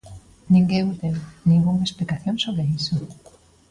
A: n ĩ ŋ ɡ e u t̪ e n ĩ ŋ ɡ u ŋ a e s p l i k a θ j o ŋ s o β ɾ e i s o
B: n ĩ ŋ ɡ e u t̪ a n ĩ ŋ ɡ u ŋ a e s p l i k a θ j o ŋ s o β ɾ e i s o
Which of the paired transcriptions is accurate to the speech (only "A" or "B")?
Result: A